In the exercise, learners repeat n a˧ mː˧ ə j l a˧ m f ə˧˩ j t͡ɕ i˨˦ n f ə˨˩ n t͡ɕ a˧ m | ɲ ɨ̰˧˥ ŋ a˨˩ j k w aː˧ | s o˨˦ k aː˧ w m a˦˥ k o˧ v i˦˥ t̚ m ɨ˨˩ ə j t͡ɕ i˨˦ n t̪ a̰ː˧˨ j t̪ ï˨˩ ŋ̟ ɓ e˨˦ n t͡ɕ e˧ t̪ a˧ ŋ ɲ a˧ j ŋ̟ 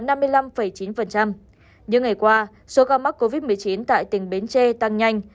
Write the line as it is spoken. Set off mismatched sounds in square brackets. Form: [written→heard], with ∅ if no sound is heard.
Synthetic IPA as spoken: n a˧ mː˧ ə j l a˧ m f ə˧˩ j t͡ɕ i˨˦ n f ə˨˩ n t͡ɕ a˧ m | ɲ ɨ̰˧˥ ŋ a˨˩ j k w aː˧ | s o˨˦ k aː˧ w m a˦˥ k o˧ v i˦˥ t̚ m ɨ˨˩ ə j t͡ɕ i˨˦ n t̪ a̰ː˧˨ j t̪ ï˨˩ ŋ̟ ɓ e˨˦ n t͡ɕ e˧ t̪ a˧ ŋ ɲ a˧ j ŋ̟